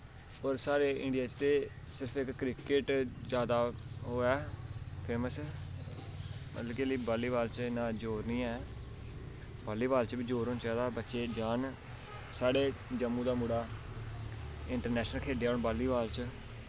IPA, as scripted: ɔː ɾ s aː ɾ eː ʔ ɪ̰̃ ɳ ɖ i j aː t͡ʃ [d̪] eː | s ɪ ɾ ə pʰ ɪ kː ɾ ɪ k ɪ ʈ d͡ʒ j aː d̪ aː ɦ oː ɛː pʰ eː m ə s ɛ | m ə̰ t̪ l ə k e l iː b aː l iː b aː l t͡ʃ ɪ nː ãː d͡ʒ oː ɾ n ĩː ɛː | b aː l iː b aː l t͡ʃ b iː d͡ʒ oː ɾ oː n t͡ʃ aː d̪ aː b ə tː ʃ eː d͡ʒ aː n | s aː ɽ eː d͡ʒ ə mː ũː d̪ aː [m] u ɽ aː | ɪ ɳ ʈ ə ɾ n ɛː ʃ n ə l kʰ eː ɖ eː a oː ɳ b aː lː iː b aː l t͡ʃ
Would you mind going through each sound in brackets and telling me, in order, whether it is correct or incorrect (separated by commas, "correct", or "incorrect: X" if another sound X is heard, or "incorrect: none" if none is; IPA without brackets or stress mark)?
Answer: incorrect: t̪, correct